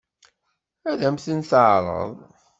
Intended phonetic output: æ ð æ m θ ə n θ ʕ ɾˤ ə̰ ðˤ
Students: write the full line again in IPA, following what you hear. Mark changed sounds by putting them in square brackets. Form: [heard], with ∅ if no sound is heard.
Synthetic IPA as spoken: æ ð æ m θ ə n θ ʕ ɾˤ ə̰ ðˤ